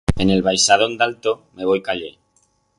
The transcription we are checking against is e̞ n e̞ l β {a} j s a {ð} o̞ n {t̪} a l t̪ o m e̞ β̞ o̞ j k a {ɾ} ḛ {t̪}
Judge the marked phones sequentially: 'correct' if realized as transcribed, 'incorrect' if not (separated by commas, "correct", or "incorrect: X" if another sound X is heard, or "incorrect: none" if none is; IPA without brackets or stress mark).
correct, correct, incorrect: d̪, incorrect: ʎ, incorrect: none